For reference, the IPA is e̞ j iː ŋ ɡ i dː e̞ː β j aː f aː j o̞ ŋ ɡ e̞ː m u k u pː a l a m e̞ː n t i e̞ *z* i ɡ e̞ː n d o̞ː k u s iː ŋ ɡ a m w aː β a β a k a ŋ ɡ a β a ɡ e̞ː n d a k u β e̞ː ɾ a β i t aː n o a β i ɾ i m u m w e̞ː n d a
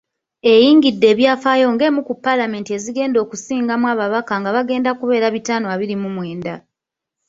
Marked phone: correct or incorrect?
correct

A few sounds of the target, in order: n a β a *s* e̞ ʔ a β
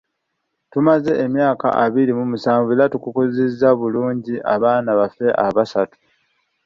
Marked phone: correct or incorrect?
incorrect: f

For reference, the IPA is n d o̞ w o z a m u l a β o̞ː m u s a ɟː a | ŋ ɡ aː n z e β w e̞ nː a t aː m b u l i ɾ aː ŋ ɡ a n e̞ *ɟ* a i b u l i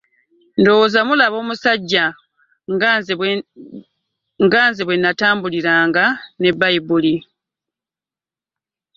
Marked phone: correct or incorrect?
incorrect: b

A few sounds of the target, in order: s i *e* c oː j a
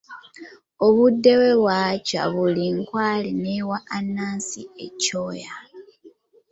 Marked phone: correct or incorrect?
correct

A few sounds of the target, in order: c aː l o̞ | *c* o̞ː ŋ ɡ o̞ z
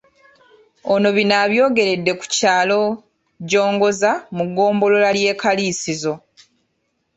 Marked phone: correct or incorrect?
incorrect: ɟ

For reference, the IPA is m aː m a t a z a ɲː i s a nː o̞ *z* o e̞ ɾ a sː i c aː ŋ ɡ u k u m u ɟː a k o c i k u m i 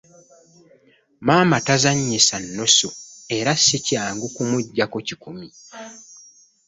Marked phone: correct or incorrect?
incorrect: s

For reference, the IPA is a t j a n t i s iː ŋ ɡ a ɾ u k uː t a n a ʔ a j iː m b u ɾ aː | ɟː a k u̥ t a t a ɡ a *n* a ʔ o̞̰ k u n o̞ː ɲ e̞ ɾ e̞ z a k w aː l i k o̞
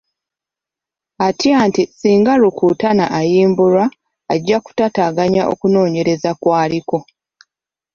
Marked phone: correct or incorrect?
incorrect: ɲ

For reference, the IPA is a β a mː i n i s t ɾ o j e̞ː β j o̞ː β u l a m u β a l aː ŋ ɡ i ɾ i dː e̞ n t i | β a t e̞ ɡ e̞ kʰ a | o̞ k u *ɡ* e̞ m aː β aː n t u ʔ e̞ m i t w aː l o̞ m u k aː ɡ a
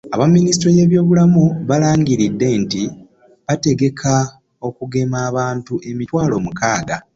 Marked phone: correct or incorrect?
correct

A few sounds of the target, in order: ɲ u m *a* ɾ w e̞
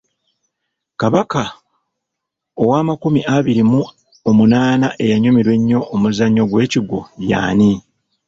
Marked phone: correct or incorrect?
incorrect: i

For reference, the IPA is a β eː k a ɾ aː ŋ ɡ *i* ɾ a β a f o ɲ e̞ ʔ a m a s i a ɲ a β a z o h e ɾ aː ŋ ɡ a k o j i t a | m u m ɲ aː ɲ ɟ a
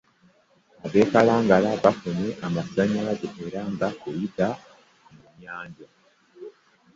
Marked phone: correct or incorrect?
incorrect: a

